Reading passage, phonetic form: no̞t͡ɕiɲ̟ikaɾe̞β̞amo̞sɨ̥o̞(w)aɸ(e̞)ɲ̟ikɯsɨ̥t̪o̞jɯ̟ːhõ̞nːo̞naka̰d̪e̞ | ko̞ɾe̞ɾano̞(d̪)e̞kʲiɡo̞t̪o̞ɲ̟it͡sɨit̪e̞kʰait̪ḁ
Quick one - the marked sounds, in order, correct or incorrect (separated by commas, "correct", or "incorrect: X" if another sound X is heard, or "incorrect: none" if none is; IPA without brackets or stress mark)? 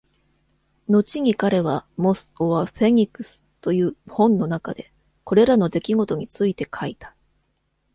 incorrect: β, correct, correct